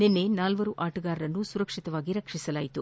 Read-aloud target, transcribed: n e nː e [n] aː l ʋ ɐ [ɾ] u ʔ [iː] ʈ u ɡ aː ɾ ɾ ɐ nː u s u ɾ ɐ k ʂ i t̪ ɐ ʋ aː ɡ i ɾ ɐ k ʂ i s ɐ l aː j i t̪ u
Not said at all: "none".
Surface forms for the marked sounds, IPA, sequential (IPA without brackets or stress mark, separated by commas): n, ɾ, aː